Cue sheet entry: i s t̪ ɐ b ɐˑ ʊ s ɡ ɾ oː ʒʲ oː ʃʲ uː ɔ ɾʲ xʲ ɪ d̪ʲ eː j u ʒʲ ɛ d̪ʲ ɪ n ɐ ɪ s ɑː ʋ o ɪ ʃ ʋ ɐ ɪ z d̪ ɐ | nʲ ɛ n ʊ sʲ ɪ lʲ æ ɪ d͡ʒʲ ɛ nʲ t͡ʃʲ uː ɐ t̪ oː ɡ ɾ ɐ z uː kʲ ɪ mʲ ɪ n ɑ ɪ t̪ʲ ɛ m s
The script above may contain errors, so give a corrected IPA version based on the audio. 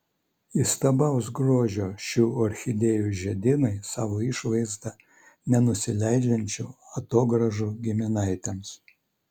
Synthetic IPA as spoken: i s t̪ ɐ b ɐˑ ʊ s ɡ ɾ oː ʒʲ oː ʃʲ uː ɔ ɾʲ xʲ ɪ d̪ʲ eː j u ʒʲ ɛ d̪ʲ ɪ n ɐ ɪ s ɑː ʋ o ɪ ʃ ʋ ɐ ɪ z d̪ ɐ | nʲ ɛ n ʊ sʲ ɪ lʲ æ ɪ d͡ʒʲ ɛ nʲ t͡ʃʲ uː ɐ t̪ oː ɡ ɾ ɐ ʒ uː ɡʲ ɪ mʲ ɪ n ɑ ɪ t̪ʲ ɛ m s